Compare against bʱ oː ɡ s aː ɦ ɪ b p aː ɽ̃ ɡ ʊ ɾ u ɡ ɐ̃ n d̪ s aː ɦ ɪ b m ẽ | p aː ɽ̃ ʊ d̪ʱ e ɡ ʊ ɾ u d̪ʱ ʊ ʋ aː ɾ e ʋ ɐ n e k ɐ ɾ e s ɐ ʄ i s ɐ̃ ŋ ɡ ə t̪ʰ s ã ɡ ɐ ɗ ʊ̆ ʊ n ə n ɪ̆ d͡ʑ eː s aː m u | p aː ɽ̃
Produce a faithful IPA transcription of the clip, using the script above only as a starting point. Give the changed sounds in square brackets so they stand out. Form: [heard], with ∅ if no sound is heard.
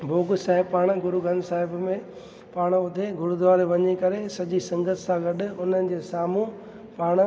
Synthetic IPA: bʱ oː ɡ s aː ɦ ɪ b p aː ɽ̃ ɡ ʊ ɾ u ɡ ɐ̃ n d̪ s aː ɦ ɪ b m ẽ | p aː ɽ̃ ʊ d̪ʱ e ɡ ʊ ɾ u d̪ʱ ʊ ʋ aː ɾ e ʋ ɐ [ɲ] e k ɐ ɾ e s ɐ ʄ i s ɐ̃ ŋ ɡ ə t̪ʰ s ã ɡ ɐ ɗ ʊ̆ ʊ n ə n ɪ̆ d͡ʑ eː s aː m u | p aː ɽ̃